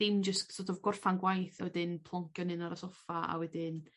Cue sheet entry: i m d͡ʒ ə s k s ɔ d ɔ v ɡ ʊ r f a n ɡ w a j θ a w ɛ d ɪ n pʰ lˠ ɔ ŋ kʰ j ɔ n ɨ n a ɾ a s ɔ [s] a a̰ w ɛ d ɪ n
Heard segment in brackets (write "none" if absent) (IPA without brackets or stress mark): f